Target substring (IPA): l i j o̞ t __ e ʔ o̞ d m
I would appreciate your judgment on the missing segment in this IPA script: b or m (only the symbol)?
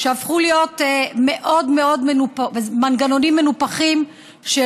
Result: m